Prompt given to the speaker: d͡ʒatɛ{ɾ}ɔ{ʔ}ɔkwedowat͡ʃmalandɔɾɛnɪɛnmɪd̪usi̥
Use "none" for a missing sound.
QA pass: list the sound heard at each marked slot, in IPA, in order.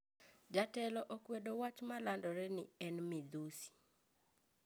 l, ʔ

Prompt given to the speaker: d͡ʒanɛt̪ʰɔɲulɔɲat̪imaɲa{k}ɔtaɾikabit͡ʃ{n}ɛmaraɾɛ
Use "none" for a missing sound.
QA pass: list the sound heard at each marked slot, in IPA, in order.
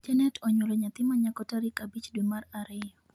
k, d

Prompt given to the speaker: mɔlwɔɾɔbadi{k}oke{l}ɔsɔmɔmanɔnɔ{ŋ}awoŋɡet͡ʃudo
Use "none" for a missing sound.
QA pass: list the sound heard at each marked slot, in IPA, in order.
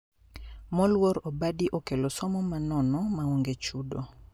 ʔ, l, m

